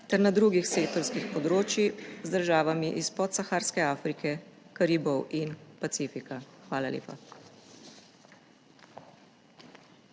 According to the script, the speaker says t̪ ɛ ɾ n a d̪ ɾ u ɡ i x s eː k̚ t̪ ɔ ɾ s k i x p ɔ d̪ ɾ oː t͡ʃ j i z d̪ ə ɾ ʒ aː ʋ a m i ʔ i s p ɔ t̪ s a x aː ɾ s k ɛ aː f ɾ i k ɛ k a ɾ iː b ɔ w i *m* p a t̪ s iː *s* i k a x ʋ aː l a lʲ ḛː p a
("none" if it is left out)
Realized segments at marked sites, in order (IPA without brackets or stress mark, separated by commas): n, f